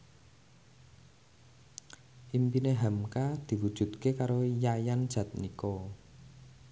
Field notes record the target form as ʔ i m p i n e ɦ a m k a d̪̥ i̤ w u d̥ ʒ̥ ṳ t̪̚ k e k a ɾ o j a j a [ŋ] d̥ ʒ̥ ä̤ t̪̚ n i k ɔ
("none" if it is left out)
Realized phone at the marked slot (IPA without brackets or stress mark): n